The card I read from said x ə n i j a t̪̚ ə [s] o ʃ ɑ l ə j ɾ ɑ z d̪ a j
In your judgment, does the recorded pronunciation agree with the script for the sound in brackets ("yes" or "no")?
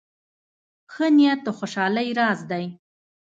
no